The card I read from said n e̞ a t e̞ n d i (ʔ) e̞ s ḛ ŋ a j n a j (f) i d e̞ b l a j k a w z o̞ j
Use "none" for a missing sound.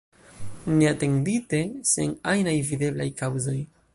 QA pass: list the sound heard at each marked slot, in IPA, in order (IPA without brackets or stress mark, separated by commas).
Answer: t, v